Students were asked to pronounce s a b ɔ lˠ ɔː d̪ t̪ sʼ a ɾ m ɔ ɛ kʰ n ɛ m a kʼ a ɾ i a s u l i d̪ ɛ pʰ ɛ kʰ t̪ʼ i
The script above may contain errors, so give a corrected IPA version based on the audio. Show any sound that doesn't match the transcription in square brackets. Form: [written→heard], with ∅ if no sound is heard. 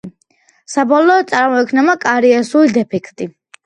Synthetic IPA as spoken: s a b ɔ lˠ ɔː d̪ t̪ sʼ a ɾ m ɔ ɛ kʰ n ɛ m a kʼ a ɾ i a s u l i d̪ ɛ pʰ ɛ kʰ t̪ʼ i